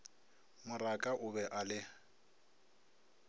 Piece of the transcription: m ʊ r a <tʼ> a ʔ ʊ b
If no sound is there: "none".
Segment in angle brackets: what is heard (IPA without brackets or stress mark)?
kʼ